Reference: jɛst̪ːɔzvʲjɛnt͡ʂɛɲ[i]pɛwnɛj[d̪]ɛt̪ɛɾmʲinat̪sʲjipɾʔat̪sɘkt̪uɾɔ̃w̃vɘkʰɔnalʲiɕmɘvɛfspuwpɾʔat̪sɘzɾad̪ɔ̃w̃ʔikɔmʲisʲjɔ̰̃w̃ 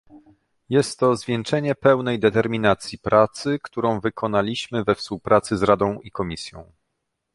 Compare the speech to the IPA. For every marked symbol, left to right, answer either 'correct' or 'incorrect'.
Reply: incorrect: ɛ, correct

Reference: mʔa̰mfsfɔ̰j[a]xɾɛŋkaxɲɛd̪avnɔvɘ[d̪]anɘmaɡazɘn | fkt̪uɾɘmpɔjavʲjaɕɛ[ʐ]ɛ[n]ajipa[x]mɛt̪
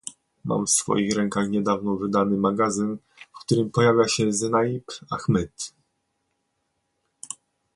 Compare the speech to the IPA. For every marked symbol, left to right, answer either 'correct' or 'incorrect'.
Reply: incorrect: i, correct, incorrect: z, correct, correct

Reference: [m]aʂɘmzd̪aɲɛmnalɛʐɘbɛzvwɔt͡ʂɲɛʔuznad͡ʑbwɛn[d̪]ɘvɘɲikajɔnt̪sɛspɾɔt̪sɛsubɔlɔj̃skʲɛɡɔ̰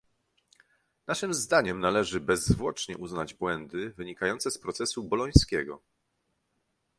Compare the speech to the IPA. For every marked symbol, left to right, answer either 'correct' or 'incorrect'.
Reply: incorrect: n, correct

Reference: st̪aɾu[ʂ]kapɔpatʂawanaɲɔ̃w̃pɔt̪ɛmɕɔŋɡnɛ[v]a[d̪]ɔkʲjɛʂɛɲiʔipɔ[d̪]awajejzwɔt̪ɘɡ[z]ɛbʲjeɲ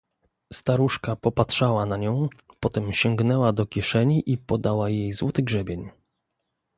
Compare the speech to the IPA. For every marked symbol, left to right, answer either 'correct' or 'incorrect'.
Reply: correct, incorrect: w, correct, correct, incorrect: ʐ

